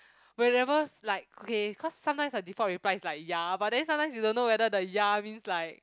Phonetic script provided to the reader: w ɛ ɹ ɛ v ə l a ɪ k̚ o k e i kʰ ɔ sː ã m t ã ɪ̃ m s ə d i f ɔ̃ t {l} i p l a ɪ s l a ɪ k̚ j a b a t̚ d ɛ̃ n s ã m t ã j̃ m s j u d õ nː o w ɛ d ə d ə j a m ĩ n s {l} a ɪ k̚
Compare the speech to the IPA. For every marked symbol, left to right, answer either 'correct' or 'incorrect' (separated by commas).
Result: incorrect, correct